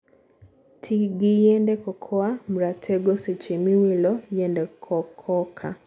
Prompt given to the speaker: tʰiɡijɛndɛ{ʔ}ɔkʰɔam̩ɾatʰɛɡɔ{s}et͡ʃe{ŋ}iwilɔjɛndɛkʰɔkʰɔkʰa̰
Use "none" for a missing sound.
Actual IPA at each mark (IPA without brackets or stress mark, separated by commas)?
k, s, m